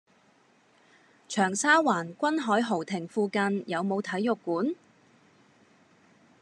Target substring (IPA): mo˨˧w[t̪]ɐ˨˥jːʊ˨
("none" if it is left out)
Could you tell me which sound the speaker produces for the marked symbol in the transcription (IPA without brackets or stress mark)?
t̪ʰ